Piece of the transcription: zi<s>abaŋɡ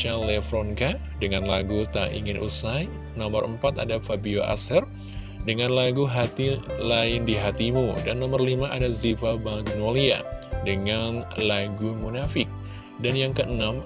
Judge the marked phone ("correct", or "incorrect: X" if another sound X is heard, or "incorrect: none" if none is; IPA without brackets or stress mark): incorrect: f